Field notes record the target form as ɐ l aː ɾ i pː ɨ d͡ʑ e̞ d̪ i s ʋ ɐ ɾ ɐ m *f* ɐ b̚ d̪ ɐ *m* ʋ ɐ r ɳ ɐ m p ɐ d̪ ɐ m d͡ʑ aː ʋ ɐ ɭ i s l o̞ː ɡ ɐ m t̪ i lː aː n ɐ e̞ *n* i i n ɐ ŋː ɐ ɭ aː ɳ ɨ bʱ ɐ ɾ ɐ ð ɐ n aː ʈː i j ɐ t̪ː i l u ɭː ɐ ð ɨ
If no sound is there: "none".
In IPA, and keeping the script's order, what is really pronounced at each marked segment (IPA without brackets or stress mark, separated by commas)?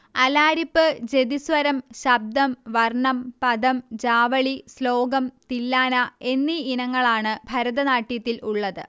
ɕ, m, nː